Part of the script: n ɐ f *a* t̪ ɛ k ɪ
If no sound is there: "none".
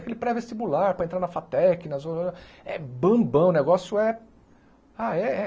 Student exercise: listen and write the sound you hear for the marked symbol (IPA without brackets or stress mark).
a